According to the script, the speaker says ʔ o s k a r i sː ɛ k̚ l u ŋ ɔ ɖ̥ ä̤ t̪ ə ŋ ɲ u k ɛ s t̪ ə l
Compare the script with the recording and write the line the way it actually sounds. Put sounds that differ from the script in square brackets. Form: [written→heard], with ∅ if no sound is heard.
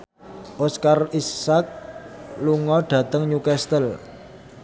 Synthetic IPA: ʔ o s k a r i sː [ɛ→a] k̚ l u ŋ ɔ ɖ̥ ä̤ t̪ ə ŋ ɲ u k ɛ s t̪ ə l